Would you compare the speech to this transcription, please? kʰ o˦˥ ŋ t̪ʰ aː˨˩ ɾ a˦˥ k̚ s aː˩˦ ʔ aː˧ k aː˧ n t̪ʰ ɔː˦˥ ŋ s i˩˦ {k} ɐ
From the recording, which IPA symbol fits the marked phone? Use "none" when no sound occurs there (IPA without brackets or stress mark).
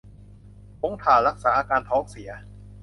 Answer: none